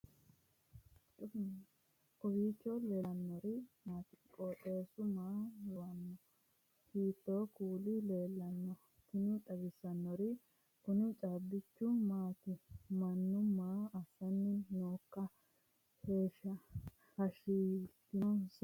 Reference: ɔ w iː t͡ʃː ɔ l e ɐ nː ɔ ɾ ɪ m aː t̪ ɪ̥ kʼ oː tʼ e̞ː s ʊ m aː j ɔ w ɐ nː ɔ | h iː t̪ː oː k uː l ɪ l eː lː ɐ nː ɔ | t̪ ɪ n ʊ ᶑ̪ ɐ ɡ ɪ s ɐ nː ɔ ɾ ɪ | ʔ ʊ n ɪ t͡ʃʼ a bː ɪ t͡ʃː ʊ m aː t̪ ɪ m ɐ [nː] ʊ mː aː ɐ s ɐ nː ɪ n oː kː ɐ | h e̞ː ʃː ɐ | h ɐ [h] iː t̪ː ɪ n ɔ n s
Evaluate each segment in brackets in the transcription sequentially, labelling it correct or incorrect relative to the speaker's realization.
correct, incorrect

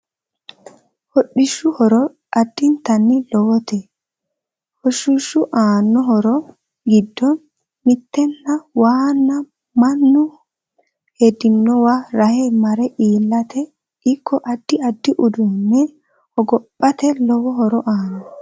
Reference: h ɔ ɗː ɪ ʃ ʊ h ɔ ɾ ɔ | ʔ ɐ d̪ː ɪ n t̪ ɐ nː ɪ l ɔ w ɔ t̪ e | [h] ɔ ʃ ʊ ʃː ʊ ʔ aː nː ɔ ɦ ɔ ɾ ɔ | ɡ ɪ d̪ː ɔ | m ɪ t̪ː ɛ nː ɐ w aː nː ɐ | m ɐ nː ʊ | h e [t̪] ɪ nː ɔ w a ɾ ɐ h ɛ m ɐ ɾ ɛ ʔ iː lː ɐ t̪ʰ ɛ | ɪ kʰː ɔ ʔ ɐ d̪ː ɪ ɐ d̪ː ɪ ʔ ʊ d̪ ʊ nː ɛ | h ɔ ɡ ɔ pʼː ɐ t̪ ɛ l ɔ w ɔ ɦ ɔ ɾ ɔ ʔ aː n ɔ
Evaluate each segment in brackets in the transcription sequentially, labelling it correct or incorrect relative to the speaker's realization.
correct, incorrect

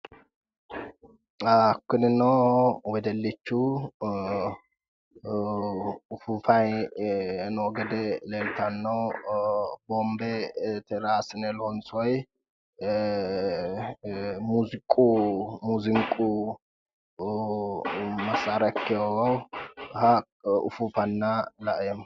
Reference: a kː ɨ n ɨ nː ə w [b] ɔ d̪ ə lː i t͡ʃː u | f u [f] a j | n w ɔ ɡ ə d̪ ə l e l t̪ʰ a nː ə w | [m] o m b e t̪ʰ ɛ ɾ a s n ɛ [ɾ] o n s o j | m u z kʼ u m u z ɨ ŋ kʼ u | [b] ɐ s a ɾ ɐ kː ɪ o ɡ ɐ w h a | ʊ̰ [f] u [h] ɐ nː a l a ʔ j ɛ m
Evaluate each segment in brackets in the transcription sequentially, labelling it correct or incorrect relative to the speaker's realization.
incorrect, correct, incorrect, incorrect, incorrect, correct, incorrect

